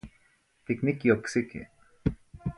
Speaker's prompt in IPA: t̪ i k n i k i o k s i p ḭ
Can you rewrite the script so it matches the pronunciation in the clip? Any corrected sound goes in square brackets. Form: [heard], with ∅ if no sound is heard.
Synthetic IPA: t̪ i k n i k i o k s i [k] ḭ